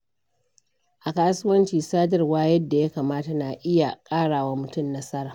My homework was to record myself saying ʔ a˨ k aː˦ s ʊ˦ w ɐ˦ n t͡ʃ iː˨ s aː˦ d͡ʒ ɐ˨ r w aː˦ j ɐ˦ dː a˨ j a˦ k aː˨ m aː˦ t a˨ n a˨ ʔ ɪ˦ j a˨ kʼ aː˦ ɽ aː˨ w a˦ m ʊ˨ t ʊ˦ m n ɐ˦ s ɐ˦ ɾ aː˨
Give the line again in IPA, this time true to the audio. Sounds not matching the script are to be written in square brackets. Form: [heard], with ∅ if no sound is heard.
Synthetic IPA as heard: ʔ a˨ k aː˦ s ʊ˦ w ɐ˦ n t͡ʃ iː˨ s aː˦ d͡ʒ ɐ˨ r w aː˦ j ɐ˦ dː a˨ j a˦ k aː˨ m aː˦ t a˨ n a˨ ʔ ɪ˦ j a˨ kʼ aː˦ ɽ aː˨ w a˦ m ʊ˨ t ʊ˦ m n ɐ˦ s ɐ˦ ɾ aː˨